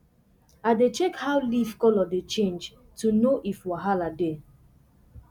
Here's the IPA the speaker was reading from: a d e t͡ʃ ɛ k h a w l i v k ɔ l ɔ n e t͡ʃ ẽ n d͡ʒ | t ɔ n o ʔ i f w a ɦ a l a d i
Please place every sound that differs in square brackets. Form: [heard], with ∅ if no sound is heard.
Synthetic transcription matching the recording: a d e t͡ʃ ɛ k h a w l i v k ɔ l ɔ [d] e t͡ʃ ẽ n d͡ʒ | t [u] n o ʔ i f w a ɦ a l a d [e]